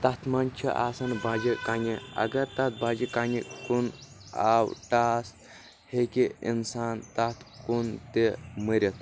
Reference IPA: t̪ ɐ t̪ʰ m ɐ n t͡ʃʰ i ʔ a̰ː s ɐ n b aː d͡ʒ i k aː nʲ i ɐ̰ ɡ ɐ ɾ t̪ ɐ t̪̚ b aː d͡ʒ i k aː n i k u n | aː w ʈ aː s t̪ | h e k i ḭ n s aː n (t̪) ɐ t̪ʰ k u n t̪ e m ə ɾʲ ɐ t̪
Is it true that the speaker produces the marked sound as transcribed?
yes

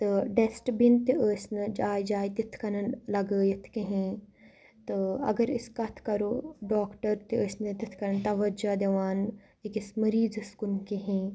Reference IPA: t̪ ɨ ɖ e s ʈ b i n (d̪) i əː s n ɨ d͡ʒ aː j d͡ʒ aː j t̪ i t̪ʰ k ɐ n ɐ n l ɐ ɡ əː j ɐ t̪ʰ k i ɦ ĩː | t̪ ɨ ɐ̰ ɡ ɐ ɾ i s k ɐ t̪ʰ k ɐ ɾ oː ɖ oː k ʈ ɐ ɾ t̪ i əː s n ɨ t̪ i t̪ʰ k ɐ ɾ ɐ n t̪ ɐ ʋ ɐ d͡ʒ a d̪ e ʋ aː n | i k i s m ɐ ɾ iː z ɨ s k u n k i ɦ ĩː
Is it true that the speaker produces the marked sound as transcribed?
no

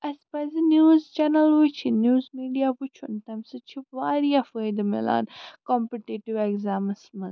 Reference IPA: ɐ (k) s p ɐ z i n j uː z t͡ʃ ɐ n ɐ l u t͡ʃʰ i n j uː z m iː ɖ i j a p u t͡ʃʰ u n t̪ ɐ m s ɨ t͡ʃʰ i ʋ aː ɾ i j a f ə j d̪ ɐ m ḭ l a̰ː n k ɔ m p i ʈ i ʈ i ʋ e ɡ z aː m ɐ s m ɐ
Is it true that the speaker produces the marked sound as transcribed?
no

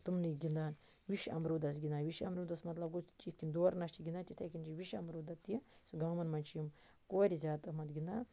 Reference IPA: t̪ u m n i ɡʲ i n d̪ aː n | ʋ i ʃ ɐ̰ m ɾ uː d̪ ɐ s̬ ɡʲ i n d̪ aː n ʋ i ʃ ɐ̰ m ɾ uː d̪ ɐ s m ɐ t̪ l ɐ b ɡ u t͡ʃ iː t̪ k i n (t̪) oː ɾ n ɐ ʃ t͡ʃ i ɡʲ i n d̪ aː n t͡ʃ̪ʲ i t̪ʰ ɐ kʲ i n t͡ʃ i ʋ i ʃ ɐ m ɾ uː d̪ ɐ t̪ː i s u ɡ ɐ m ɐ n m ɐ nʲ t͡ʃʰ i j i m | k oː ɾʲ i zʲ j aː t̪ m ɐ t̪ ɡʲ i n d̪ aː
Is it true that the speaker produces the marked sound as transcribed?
no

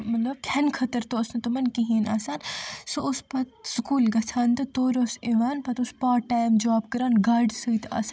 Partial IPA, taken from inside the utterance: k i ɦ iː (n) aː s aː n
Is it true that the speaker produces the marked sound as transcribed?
yes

